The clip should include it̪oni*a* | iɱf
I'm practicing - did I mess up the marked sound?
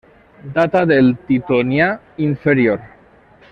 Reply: no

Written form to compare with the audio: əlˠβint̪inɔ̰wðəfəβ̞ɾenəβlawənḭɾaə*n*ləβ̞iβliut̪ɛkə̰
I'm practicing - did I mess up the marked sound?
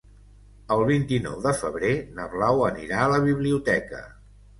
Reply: yes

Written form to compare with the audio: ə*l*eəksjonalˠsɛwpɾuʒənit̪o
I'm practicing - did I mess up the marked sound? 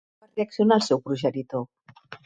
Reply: yes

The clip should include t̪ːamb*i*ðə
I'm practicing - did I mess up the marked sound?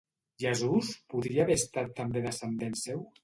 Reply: yes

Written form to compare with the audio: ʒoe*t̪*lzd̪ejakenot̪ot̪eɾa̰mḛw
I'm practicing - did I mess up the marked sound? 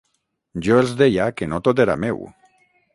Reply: yes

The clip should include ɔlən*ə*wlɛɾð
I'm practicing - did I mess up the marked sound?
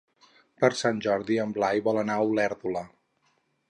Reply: yes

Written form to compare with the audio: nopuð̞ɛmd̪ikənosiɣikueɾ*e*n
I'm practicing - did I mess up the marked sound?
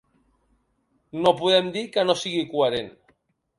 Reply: no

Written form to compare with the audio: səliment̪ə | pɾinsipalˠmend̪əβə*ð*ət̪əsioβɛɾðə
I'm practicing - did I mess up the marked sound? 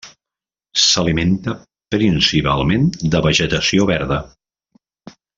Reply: yes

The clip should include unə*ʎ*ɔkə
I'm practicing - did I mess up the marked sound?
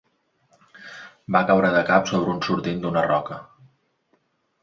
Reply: yes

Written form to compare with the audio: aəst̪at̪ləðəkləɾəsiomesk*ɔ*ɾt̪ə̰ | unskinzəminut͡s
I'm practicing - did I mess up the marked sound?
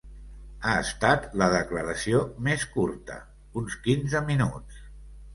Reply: yes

